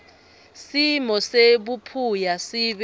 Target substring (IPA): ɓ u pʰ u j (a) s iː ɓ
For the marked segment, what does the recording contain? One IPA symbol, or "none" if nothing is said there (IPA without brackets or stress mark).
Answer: a